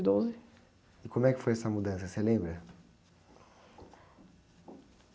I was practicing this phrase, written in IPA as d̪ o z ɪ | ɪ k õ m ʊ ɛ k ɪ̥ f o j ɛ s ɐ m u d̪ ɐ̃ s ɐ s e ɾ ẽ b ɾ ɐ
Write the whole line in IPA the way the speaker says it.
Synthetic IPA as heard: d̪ o z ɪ | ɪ k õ m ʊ ɛ k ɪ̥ f o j ɛ s ɐ m u d̪ ɐ̃ s ɐ s e l ẽ b ɾ ɐ